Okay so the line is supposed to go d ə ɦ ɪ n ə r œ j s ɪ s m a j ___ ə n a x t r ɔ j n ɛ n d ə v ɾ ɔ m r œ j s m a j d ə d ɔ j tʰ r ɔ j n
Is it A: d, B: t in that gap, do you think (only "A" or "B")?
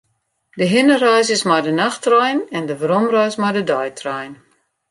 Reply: A